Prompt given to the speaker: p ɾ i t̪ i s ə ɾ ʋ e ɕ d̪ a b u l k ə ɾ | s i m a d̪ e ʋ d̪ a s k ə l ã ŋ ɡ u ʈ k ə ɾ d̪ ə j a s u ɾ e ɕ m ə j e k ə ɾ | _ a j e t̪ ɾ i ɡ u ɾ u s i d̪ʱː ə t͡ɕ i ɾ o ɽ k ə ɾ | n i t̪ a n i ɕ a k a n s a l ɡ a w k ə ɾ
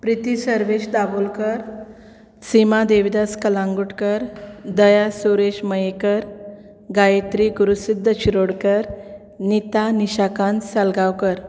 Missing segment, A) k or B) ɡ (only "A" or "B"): B